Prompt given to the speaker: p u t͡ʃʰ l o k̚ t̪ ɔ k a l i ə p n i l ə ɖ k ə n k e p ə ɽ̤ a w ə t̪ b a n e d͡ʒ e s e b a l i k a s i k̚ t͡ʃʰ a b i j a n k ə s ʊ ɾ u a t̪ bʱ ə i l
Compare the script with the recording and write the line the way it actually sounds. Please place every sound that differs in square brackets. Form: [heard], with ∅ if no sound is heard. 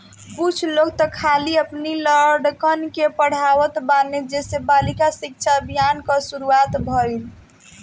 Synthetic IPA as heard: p u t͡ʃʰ l o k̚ t̪ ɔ [kʰ] a l i ə p n i l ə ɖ k ə n k e p ə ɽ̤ a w ə t̪ b a n e d͡ʒ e s e b a l i k a s i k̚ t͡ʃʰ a b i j a n k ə s [u] ɾ u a t̪ bʱ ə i l